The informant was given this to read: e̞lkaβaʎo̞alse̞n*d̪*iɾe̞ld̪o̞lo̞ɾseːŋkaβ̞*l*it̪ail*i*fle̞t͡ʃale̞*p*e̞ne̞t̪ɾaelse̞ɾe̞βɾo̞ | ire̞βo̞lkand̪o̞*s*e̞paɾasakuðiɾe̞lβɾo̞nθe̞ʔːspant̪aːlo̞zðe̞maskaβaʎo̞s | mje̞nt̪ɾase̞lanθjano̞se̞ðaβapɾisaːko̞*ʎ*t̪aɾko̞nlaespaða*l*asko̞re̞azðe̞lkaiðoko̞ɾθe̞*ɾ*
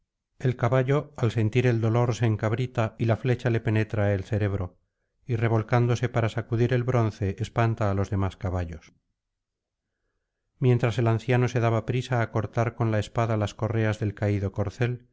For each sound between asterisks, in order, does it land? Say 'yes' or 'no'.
no, no, no, yes, yes, no, yes, no

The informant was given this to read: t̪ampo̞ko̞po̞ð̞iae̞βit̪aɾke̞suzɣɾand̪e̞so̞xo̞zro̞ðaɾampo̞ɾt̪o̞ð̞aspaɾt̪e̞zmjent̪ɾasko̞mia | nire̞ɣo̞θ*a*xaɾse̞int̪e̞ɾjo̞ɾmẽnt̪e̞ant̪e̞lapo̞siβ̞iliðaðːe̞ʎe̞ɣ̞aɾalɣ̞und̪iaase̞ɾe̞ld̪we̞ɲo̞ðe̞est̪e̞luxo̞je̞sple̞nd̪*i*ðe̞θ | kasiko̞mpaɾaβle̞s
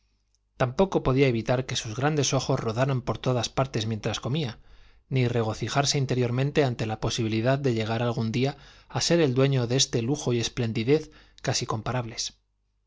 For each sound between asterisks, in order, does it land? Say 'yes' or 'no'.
no, yes

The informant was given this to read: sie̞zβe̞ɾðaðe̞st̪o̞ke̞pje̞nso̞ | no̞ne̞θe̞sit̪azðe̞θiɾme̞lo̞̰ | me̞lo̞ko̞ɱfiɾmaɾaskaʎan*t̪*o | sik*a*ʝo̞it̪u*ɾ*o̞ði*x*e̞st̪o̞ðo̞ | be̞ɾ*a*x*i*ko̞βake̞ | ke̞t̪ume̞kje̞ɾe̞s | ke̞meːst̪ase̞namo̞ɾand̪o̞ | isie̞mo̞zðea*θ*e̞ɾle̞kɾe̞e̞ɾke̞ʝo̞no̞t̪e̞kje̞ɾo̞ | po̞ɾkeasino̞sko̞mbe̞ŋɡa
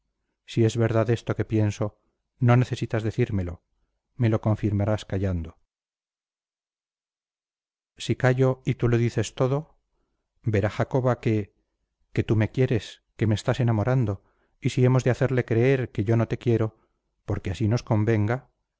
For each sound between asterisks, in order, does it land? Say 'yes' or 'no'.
no, yes, no, no, yes, no, yes

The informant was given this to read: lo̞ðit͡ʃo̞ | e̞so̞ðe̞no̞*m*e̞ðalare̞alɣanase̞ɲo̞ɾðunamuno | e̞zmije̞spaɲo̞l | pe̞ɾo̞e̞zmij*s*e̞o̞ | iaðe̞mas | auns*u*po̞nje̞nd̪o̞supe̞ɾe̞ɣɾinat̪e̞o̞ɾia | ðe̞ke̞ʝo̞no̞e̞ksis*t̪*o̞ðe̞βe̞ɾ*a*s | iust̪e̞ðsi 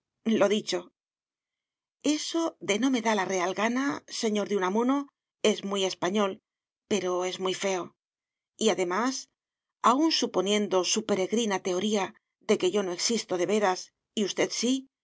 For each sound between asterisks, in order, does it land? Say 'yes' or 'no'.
yes, no, yes, yes, yes

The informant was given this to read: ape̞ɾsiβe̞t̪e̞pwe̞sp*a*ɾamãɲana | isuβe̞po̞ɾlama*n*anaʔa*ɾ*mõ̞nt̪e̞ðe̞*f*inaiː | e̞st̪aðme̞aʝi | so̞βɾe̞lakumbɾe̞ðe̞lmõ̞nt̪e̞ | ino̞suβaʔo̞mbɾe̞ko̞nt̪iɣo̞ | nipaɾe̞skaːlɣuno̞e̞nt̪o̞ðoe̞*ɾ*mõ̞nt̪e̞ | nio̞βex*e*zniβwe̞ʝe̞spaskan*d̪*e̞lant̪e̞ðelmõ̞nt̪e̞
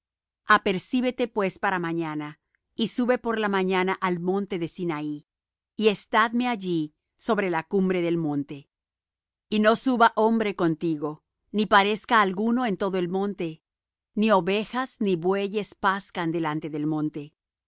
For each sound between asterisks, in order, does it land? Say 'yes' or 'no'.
yes, no, no, no, no, no, yes

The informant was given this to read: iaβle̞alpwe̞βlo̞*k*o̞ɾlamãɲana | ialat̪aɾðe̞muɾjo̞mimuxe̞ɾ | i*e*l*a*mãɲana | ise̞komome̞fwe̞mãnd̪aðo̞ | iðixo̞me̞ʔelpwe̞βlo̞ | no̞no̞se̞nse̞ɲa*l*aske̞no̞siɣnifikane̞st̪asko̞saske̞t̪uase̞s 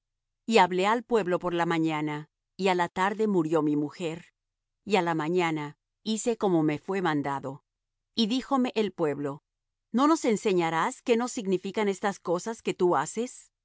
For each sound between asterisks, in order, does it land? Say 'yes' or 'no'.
no, no, yes, no

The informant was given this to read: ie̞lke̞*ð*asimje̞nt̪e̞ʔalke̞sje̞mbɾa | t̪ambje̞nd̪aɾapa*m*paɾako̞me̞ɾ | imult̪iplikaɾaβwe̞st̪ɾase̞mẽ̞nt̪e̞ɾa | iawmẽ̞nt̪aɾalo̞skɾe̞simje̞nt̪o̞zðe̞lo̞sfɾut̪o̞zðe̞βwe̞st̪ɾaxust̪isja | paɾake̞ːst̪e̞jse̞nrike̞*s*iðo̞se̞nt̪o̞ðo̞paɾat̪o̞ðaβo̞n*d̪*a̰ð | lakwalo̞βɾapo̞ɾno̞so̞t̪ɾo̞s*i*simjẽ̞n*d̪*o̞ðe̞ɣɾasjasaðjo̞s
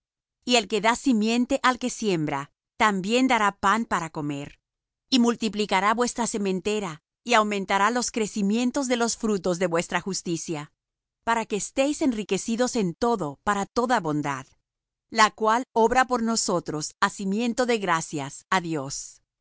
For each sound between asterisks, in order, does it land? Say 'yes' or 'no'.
yes, no, yes, yes, no, no

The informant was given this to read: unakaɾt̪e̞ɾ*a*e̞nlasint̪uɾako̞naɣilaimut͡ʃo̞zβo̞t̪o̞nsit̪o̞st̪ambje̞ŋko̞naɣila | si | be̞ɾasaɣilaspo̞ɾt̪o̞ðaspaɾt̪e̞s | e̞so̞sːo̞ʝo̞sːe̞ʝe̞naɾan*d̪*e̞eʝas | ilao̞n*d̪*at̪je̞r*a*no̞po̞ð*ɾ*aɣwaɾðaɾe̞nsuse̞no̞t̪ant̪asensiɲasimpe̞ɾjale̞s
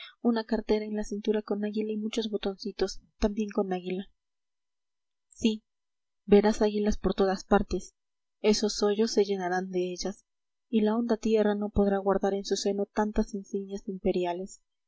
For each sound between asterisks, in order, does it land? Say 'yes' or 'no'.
yes, yes, yes, yes, yes

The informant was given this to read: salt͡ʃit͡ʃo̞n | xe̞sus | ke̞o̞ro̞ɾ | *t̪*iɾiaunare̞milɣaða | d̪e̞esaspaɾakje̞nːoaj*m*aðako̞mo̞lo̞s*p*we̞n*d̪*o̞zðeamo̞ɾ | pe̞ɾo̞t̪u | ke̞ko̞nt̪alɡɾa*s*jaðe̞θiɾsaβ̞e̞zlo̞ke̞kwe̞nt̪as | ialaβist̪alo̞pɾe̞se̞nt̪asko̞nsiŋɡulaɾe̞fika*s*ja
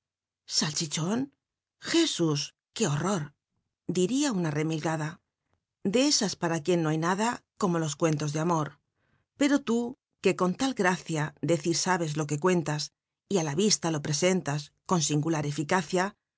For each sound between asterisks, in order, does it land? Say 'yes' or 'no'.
no, no, no, no, no, no

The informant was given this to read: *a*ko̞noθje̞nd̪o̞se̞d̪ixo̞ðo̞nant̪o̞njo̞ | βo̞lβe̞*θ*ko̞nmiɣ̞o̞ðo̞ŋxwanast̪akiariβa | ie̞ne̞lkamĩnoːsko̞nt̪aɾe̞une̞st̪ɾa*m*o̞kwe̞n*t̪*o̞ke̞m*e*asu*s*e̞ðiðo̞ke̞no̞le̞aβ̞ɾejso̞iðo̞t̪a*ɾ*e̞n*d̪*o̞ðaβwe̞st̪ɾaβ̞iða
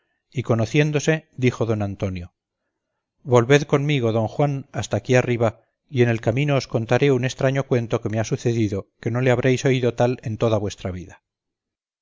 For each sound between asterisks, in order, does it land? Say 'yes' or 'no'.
no, no, no, yes, yes, no, no, no

